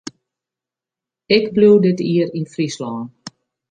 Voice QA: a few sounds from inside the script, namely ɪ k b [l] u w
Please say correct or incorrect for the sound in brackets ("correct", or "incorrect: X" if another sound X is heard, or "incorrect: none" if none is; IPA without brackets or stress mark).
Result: correct